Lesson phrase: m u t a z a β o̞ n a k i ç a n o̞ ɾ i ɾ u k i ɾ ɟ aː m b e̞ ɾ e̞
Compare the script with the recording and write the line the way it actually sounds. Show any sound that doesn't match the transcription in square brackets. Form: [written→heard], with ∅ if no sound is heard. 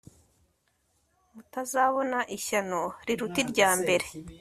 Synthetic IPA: m u t a z a β o̞ n a [k→ʔ] i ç a n o̞ ɾ i ɾ u [k→t] i ɾ ɟ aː m b e̞ ɾ e̞